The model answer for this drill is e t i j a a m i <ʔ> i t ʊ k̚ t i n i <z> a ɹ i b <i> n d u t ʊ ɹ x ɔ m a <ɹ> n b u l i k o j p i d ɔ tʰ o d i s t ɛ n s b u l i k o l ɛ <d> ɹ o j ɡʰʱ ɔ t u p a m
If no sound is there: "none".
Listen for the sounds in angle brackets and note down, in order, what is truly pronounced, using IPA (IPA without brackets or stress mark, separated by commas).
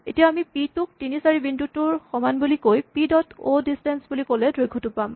p, s, i, none, d